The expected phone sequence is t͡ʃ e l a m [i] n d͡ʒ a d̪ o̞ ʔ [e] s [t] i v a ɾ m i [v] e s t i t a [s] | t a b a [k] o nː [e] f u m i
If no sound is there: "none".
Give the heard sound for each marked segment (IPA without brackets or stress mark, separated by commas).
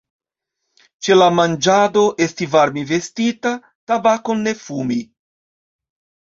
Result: a, e, t, v, none, k, e